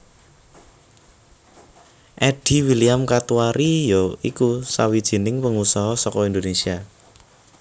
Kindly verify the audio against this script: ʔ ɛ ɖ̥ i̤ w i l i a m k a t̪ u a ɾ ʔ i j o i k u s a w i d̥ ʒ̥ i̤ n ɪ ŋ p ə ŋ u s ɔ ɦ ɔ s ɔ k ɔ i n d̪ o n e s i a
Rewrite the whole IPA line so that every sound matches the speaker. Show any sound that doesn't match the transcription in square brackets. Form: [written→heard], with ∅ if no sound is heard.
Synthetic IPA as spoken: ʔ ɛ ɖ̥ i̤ w i l i a m k a t̪ u a ɾ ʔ i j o i k u s a w i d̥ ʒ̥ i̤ n ɪ ŋ p ə ŋ u s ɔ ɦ ɔ s ɔ k ɔ i n d̪ o n e s i a